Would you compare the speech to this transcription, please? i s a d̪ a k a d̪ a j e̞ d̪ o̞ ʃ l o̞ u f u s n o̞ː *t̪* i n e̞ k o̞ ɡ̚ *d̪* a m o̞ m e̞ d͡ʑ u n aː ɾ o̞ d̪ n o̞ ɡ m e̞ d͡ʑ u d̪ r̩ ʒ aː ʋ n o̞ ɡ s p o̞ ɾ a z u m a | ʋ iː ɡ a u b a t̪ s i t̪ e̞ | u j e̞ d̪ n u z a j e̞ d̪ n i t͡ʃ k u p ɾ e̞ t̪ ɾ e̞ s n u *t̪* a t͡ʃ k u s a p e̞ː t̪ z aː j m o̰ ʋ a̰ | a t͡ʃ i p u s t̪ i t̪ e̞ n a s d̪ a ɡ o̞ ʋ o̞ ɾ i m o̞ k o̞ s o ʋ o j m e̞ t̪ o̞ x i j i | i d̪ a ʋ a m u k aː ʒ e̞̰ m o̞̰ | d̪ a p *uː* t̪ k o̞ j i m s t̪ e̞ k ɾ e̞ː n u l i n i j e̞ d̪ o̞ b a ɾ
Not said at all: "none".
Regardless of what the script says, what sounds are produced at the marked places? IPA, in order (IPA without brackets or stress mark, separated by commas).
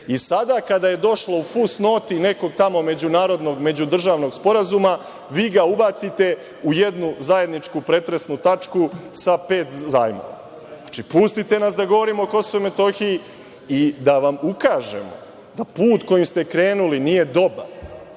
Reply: t̪, t̪, t̪, uː